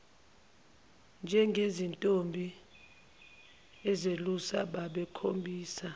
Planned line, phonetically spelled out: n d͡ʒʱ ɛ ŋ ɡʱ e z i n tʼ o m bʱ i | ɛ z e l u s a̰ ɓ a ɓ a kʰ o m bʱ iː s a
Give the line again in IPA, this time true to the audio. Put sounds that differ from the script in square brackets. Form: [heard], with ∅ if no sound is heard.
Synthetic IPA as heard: n d͡ʒʱ ɛ ŋ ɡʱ e z i n tʼ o m bʱ i | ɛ z e l u s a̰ ɓ a ɓ [ɛ] kʰ o m bʱ iː s a